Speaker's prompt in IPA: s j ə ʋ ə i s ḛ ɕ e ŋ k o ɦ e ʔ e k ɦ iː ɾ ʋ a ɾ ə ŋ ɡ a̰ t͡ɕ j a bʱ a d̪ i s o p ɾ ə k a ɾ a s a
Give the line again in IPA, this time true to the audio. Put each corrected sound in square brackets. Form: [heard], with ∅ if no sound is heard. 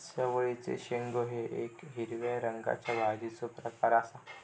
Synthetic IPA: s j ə ʋ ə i [t͡s] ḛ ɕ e ŋ [ɡ] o ɦ e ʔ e k ɦ [i] ɾ ʋ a ɾ ə ŋ ɡ a̰ t͡ɕ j a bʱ a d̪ i [t͡s] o p ɾ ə k a ɾ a s a